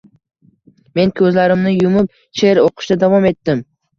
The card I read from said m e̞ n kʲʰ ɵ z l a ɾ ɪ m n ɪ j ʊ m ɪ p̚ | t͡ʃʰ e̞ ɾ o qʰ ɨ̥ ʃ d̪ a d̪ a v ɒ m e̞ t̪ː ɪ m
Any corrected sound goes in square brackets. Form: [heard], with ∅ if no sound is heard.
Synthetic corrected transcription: m e̞ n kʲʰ ɵ z l a ɾ ɪ m n ɪ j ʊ m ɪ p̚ | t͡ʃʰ e̞ ɾ o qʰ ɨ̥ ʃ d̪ a d̪ a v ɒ m e̞ t̪ː ɪ m